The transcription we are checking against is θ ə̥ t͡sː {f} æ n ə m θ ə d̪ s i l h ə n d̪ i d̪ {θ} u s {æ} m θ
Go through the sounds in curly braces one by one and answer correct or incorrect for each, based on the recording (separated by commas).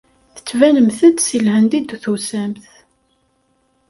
incorrect, correct, correct